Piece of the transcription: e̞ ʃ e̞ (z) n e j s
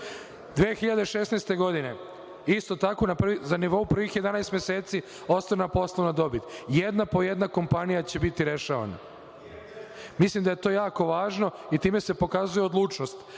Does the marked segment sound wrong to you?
yes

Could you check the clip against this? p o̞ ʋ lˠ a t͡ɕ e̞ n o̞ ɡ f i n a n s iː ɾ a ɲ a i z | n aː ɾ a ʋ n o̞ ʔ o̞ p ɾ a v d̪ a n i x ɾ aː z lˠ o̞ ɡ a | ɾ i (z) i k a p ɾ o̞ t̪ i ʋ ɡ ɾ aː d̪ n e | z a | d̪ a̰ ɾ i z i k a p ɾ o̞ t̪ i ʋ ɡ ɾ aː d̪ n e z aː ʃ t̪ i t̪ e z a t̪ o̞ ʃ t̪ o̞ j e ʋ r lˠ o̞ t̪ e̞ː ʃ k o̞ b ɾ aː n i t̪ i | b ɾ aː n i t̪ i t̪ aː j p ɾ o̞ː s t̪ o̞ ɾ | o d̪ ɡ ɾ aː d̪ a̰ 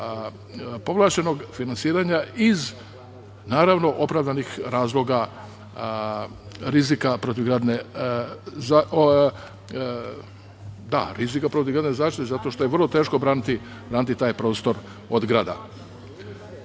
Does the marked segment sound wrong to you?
no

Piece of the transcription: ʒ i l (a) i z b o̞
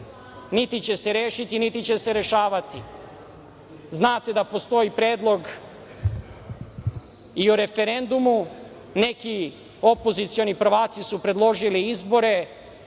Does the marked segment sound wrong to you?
yes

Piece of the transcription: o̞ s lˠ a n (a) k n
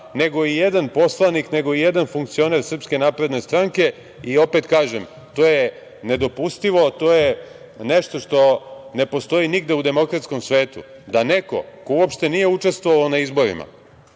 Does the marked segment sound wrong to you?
yes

